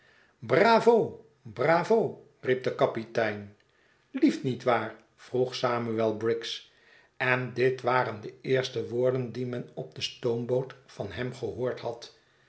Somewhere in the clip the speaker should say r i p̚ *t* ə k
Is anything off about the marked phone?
yes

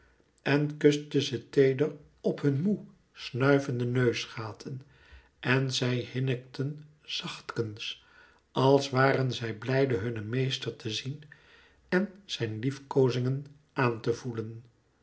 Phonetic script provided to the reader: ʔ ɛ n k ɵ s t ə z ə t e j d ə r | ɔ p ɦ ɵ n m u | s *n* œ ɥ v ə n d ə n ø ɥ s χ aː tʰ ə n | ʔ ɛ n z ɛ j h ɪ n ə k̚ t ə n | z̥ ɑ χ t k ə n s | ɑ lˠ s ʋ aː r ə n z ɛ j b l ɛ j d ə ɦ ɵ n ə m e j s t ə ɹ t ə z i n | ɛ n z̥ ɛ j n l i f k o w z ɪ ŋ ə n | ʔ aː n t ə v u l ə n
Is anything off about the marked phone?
no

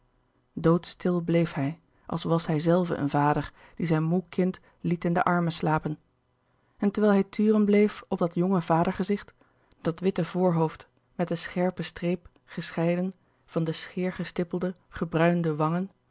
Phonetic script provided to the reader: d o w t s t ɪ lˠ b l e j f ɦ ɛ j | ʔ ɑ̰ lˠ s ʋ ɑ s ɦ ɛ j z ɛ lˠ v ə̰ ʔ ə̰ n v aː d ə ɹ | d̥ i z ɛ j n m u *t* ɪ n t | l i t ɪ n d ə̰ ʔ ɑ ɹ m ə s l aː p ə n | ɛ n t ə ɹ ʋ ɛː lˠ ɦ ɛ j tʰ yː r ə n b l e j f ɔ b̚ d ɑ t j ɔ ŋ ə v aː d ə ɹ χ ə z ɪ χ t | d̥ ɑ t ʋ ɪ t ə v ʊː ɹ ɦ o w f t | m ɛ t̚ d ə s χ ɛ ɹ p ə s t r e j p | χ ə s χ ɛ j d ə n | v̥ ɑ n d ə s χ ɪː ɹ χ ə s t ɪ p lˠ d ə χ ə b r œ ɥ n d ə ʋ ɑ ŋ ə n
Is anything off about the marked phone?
yes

